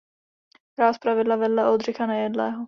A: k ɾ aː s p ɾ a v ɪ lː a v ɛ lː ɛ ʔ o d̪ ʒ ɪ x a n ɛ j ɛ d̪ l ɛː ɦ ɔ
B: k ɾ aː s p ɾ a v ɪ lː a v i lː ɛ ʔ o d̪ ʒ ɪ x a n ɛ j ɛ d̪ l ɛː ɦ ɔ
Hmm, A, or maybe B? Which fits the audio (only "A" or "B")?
A